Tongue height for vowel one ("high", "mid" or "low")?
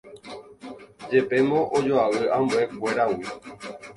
mid